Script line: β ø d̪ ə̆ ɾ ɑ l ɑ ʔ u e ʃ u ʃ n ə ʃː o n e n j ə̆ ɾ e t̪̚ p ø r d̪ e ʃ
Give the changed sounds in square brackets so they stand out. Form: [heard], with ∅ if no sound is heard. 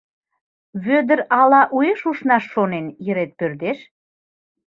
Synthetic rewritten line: β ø d̪ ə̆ ɾ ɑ l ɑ ʔ u e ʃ u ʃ n [ɑ] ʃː o n e n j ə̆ ɾ e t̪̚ p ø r d̪ e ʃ